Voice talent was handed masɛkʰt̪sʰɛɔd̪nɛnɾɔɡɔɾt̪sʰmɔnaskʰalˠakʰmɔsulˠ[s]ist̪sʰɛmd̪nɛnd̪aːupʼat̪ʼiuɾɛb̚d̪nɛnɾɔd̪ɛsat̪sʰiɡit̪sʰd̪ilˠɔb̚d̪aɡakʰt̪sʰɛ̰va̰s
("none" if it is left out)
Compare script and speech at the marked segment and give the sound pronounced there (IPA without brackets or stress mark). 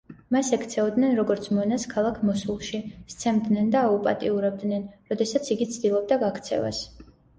ʃ